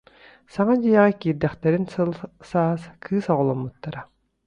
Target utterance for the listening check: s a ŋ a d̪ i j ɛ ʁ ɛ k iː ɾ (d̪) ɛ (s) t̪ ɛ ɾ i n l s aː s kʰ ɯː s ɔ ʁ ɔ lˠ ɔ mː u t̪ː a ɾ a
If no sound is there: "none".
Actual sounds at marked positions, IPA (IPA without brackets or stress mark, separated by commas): d̪, χ